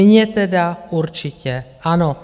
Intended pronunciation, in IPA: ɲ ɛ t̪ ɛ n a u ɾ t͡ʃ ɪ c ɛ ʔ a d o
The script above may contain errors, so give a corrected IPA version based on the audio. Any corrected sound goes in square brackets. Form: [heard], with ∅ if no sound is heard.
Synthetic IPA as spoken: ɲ ɛ t̪ ɛ [d] a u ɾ t͡ʃ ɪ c ɛ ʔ a [n] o